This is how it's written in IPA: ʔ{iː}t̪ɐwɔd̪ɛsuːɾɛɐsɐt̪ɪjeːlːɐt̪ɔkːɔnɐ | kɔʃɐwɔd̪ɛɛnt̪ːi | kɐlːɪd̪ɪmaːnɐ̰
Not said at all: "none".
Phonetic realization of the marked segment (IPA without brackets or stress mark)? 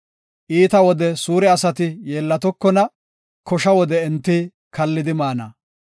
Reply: iː